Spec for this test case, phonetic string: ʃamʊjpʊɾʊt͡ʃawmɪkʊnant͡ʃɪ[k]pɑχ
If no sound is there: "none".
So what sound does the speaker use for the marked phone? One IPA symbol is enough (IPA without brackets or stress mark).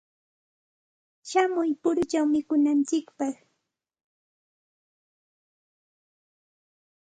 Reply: k